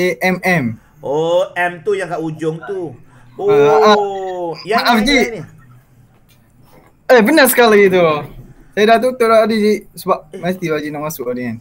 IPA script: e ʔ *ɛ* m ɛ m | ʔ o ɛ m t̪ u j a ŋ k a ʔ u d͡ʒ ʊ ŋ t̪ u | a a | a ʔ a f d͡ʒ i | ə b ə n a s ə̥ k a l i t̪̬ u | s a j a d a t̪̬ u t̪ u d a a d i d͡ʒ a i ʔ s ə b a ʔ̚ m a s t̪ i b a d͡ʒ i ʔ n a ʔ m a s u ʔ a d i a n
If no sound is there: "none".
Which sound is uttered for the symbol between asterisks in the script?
ɛ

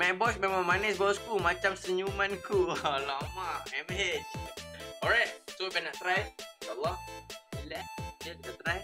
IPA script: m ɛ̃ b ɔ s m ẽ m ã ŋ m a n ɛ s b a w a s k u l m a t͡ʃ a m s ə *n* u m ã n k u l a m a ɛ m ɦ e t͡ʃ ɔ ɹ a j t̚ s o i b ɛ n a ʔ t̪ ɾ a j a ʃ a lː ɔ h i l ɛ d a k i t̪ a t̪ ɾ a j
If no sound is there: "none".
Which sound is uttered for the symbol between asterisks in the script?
ɲ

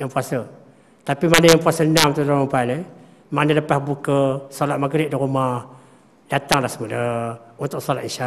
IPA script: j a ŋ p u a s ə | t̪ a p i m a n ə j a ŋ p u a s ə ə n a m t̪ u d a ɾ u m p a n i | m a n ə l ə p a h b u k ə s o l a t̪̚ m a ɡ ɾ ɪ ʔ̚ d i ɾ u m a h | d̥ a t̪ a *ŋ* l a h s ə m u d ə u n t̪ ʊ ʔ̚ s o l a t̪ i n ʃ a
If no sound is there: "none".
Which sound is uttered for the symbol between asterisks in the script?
ŋ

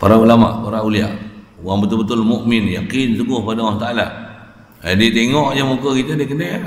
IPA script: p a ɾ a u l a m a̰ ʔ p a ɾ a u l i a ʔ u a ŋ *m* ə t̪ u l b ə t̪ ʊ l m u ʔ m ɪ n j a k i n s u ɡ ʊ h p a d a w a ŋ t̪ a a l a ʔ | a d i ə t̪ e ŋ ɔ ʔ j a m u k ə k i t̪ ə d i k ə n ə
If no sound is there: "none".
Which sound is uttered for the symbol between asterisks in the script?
b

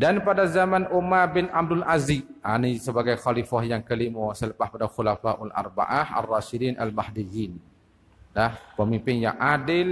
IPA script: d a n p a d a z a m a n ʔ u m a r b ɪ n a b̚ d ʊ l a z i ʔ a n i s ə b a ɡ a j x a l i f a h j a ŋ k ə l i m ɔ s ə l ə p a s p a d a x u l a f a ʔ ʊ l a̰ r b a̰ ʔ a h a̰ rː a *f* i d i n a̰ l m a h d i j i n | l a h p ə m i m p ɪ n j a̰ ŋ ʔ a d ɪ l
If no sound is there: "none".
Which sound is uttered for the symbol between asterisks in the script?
ʃ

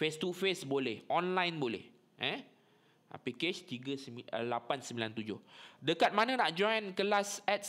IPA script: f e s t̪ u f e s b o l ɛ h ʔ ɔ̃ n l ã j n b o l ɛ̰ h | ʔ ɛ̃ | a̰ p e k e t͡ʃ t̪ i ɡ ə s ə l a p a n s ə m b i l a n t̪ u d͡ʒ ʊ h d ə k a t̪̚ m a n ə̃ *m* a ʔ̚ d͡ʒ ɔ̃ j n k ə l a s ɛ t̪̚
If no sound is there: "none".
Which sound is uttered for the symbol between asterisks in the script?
n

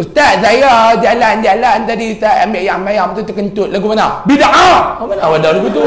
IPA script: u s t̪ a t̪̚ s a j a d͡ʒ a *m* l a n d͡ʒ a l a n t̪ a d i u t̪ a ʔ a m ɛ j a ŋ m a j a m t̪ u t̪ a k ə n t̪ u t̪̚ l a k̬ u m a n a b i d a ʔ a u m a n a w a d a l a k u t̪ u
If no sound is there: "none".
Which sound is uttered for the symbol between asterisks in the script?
none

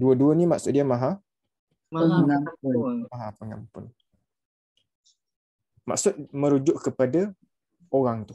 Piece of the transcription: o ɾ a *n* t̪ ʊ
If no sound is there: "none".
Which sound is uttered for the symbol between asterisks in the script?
ŋ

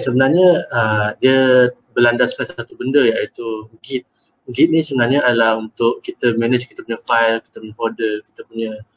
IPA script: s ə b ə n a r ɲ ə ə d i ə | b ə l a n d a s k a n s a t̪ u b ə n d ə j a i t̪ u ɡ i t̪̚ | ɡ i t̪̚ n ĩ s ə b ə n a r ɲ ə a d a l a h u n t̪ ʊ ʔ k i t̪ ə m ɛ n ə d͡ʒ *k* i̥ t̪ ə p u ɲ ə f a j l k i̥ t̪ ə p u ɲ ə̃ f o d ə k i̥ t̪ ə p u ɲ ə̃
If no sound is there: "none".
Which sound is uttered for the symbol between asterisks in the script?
k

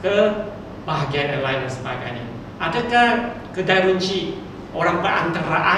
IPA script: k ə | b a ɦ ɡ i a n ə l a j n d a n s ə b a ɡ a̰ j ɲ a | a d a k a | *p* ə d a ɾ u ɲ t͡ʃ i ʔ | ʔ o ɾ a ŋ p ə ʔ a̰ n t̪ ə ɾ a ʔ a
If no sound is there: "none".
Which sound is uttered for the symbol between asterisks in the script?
k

